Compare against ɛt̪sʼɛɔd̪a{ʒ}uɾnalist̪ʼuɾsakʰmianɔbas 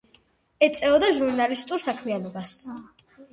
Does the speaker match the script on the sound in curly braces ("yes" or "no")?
yes